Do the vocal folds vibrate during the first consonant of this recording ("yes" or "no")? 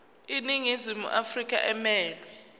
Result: yes